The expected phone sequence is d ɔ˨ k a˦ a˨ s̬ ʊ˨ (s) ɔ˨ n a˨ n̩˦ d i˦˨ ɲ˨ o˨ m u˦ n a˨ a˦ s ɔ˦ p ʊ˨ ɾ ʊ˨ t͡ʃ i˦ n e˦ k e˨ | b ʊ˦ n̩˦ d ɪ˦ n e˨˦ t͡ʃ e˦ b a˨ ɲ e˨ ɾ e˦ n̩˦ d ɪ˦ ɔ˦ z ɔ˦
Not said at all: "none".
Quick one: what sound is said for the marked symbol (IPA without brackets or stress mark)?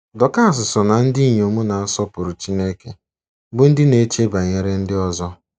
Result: s